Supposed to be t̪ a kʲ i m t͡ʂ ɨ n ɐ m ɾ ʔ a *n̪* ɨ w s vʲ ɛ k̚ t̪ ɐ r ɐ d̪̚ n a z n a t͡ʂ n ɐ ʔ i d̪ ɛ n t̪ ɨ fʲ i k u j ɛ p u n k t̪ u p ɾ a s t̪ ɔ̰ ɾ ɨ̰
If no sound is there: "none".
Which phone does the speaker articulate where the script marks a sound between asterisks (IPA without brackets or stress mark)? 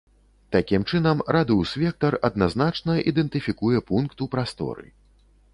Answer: d̪